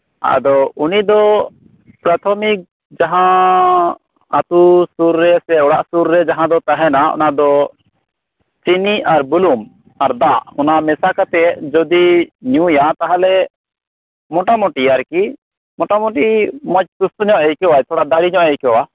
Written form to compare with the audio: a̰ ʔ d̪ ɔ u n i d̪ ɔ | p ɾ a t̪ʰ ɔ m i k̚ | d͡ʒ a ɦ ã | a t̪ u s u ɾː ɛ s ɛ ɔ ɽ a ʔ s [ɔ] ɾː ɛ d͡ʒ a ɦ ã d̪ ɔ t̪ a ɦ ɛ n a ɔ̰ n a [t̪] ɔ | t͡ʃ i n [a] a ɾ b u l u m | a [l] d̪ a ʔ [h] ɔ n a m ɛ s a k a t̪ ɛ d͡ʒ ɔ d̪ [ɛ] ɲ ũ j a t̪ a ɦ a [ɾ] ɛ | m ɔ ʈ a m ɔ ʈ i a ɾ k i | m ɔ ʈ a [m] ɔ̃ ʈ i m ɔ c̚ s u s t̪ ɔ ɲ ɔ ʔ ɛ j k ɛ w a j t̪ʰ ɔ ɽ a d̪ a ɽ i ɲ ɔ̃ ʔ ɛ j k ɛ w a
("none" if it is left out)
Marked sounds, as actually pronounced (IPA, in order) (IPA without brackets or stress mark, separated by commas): u, d̪, i, ɾ, h, i, l, m